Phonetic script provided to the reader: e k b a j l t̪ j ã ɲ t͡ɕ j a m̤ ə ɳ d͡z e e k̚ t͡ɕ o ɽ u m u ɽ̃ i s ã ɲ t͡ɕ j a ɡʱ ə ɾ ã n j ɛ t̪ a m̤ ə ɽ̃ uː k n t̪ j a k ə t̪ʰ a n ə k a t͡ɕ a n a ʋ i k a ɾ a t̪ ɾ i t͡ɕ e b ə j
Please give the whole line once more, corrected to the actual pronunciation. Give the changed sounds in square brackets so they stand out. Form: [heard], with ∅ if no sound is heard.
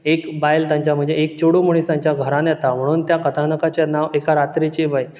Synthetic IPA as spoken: e k b a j l t̪ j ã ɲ t͡ɕ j a m̤ ə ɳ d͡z e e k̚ t͡ɕ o ɽ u m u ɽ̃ i s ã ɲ t͡ɕ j a ɡʱ ə ɾ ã n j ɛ t̪ a m̤ ə ɽ̃ uː [∅] n t̪ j a k ə t̪ʰ a n ə k a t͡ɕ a n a ʋ [e] k a ɾ a t̪ ɾ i t͡ɕ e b ə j